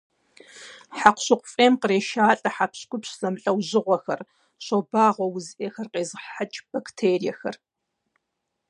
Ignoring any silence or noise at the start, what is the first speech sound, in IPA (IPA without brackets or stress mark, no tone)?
ħ